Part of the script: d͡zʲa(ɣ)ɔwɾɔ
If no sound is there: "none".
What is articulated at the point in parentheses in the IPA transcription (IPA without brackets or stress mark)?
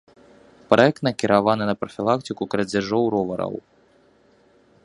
ʐ